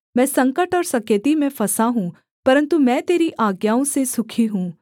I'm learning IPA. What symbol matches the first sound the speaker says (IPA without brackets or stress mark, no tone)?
m